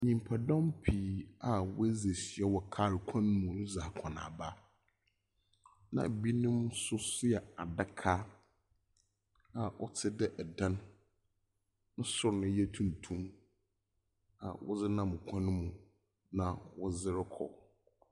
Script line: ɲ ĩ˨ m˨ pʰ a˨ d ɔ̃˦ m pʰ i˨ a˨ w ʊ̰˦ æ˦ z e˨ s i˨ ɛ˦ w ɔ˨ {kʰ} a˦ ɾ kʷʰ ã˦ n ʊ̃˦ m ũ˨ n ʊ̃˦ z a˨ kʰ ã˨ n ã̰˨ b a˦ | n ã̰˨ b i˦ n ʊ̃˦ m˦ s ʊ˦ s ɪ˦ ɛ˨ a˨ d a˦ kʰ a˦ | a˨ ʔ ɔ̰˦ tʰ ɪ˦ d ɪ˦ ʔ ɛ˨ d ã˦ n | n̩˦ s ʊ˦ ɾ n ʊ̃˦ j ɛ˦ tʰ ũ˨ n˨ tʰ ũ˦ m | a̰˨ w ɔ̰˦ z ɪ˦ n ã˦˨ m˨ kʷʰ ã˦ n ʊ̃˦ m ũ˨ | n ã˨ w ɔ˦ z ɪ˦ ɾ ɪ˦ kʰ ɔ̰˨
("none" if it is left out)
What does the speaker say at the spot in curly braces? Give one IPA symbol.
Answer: kʰ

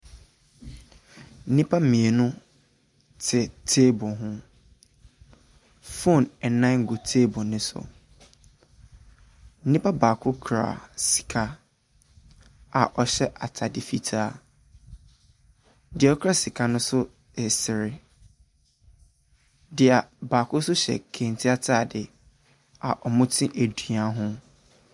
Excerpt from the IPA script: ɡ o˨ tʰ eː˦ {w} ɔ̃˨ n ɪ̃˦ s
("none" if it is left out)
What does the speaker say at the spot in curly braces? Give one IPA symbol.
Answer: b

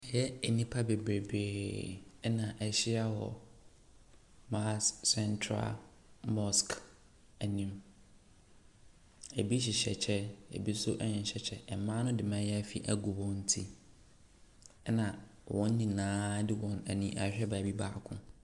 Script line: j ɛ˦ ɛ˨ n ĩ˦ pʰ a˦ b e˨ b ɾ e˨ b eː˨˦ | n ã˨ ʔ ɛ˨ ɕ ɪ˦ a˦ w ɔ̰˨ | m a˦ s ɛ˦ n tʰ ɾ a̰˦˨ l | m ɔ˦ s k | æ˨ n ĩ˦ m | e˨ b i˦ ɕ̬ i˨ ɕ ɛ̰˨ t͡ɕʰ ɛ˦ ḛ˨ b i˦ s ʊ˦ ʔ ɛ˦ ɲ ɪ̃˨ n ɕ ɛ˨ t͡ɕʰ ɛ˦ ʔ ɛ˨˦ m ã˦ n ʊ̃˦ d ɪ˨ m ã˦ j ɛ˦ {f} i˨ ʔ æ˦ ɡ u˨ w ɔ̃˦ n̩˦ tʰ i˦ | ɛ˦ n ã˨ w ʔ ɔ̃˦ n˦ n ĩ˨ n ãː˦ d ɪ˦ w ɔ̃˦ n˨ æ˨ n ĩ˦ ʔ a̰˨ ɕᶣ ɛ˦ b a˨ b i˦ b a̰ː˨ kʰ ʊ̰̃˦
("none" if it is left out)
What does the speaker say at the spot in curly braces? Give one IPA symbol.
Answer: f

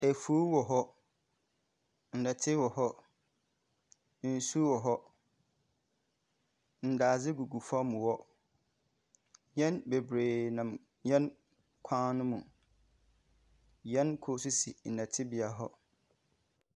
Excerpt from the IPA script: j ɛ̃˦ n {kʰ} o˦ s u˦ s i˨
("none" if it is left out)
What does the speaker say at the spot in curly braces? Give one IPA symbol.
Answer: kʰ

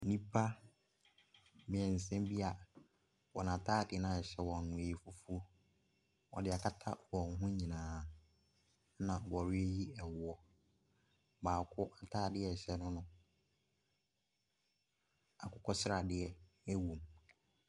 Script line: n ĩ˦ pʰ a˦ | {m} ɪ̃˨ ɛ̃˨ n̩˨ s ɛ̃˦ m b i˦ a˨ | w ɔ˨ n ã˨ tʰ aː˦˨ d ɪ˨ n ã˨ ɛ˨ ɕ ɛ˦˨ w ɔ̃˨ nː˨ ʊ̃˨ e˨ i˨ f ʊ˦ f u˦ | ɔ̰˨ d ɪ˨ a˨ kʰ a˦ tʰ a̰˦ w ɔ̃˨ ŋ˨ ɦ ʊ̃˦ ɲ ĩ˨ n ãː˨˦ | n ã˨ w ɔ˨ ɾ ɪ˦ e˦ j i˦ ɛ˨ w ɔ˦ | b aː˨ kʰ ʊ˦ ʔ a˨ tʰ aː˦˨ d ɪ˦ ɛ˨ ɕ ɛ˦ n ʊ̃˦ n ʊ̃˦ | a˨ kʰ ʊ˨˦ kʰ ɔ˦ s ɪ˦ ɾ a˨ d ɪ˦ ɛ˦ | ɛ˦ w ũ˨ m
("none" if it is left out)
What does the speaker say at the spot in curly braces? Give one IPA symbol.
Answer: m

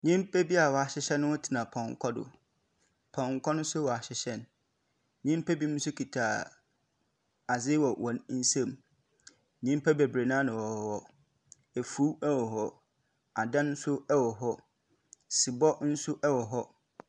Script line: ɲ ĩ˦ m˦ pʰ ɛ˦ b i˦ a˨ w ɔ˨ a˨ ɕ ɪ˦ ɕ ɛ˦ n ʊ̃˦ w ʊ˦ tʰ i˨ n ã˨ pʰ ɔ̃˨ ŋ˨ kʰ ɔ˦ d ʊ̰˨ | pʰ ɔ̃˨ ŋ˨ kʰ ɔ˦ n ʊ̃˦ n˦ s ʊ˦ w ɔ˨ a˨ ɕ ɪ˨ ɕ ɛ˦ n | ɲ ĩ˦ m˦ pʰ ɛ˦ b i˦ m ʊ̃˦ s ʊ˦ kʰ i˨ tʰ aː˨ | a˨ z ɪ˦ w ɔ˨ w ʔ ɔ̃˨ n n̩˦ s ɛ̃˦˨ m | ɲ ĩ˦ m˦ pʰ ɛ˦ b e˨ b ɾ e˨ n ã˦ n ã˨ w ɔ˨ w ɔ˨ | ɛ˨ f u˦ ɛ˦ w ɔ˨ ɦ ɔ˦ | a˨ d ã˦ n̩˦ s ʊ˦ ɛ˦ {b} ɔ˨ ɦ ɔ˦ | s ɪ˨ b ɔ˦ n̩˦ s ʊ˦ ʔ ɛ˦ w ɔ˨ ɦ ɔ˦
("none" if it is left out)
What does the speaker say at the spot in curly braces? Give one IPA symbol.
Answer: w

